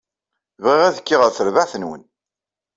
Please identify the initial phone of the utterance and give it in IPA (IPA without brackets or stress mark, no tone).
v